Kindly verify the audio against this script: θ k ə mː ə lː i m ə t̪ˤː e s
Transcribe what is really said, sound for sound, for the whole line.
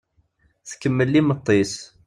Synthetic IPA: θ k ə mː ə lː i m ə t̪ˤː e s